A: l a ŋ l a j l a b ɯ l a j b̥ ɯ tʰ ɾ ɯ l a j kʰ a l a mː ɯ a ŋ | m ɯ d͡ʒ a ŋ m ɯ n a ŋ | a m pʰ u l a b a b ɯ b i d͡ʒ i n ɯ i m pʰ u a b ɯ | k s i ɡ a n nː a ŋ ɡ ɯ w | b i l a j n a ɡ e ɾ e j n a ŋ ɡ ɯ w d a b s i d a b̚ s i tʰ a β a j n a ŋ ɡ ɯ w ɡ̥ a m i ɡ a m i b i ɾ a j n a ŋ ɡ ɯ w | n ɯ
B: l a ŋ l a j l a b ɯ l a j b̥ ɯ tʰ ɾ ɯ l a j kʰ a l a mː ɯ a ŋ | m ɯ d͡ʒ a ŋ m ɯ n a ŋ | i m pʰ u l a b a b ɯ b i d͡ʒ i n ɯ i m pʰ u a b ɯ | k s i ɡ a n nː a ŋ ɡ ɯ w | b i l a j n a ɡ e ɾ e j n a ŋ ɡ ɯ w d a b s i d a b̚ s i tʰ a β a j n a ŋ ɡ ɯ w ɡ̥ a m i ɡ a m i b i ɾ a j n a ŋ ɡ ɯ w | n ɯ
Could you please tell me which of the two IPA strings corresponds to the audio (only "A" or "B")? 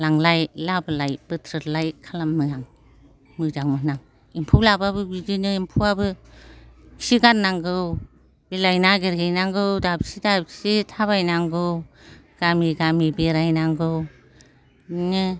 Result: B